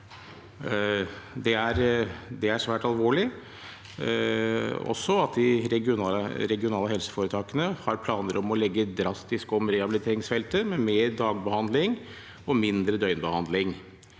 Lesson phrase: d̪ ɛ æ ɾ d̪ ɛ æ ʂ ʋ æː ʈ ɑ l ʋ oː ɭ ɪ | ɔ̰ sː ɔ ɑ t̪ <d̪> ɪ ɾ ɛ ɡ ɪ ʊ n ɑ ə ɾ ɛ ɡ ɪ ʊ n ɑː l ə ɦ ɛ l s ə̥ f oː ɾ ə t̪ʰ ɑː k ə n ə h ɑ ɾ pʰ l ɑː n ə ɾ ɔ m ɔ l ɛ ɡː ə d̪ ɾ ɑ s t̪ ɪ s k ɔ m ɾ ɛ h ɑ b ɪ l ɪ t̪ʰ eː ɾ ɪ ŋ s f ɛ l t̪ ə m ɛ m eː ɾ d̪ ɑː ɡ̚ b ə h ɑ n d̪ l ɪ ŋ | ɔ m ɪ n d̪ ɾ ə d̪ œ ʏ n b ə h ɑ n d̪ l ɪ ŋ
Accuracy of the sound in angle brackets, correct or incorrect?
correct